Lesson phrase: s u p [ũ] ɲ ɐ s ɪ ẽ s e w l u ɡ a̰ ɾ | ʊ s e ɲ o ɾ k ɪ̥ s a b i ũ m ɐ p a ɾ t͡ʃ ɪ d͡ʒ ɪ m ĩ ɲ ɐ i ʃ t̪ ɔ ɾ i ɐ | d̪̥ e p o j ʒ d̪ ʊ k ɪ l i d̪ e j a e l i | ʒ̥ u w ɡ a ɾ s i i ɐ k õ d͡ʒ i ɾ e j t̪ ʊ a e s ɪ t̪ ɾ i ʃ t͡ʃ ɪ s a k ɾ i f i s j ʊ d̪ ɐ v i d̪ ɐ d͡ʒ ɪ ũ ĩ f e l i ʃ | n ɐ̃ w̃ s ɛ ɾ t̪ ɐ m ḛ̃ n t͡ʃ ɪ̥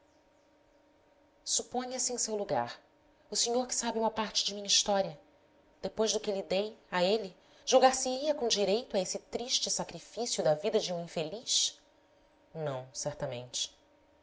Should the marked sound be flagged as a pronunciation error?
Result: yes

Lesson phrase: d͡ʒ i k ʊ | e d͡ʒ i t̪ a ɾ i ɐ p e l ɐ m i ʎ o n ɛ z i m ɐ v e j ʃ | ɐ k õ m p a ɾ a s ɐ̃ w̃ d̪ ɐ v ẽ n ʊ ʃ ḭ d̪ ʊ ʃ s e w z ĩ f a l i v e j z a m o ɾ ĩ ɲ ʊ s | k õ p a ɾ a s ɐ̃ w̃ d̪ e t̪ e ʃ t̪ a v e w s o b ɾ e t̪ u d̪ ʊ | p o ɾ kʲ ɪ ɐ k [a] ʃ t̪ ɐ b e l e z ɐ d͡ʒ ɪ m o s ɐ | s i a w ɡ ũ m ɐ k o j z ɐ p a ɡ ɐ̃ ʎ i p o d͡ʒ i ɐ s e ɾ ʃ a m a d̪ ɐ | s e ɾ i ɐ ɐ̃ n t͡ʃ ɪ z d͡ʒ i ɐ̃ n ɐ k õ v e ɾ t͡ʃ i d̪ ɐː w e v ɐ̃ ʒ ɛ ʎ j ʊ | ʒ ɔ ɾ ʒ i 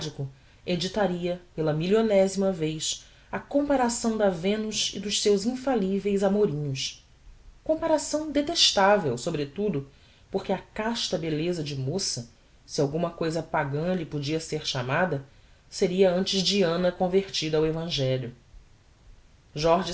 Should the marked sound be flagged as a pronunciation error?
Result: no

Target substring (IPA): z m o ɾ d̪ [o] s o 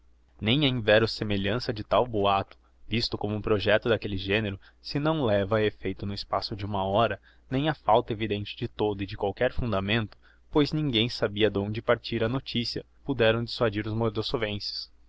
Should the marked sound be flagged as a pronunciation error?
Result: no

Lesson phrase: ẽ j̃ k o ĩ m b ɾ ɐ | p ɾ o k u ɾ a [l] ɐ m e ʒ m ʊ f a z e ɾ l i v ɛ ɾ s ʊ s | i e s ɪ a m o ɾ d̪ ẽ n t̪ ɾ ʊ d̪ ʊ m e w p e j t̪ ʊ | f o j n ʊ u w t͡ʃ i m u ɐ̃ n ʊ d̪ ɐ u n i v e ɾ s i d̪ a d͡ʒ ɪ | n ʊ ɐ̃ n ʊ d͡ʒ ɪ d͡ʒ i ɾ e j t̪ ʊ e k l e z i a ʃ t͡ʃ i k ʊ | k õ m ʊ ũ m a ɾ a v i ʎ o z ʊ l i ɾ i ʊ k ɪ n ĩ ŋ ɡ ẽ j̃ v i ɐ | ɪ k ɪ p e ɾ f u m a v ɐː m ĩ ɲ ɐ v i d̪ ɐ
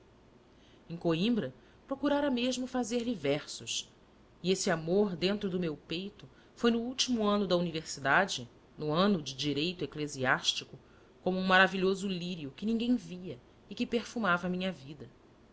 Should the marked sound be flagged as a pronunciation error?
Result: yes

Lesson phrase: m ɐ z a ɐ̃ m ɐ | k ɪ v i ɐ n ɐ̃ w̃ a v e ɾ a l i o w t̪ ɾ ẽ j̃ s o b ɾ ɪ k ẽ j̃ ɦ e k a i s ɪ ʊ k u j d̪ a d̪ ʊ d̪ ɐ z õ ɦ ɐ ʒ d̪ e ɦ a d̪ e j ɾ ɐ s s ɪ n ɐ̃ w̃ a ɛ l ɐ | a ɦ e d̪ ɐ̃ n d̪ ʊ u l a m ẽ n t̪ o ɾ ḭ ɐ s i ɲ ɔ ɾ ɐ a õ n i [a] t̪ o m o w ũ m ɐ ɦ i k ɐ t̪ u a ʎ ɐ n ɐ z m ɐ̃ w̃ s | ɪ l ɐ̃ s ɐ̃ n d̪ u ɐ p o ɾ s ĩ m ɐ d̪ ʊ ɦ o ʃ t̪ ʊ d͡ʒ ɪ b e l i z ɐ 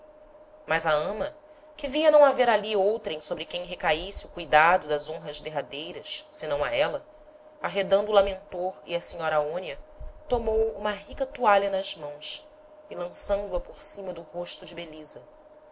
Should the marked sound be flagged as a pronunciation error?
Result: yes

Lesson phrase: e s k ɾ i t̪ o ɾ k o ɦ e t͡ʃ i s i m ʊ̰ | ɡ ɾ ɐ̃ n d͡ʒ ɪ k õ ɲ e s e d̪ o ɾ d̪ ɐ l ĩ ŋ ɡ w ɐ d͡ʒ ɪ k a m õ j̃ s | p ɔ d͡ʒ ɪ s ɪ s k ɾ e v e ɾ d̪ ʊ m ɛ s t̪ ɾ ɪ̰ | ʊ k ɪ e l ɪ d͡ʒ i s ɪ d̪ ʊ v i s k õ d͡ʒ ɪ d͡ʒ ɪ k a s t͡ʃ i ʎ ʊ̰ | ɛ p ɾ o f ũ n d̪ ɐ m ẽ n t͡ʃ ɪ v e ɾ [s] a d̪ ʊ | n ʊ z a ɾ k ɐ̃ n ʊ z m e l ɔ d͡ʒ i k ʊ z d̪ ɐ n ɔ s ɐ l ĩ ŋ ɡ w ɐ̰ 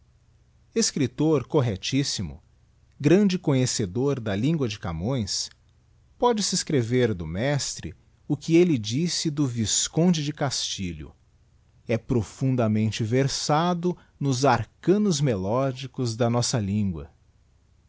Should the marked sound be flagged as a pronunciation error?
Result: no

